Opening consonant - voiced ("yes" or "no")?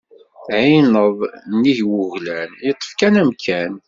no